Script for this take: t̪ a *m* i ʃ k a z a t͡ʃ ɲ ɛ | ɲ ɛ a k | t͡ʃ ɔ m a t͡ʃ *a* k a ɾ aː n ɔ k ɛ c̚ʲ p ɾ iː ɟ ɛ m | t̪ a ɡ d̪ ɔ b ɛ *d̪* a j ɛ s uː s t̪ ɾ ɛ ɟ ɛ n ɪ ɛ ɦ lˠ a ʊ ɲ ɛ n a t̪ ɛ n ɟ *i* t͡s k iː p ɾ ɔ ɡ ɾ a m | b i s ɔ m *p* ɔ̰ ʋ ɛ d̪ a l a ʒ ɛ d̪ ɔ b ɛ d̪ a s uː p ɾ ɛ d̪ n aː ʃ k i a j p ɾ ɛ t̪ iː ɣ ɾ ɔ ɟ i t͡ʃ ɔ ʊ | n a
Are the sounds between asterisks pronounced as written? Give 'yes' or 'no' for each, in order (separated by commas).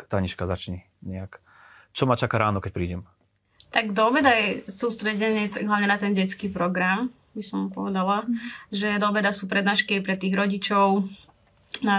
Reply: no, yes, yes, no, yes